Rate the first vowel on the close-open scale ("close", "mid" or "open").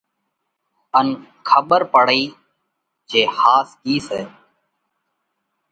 mid